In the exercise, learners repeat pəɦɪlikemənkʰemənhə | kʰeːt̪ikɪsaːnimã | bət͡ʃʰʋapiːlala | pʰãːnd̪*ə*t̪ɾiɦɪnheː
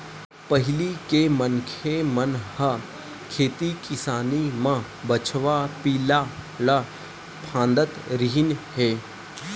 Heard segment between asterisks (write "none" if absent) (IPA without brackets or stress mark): ə